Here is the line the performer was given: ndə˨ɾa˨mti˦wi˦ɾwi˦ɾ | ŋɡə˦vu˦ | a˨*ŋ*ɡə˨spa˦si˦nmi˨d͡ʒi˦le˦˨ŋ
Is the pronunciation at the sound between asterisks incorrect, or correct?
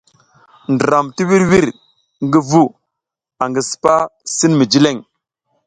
correct